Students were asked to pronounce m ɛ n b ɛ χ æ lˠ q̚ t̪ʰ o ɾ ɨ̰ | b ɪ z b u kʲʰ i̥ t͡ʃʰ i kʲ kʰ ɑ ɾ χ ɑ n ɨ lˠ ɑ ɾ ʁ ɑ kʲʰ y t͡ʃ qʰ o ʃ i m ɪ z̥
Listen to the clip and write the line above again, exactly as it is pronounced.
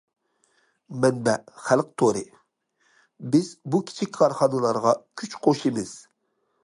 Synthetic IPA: m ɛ n b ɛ χ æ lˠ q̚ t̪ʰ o ɾ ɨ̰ | b ɪ z b u kʲʰ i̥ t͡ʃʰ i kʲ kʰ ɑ ɾ χ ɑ n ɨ lˠ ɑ ɾ ʁ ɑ kʲʰ y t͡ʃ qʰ o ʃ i m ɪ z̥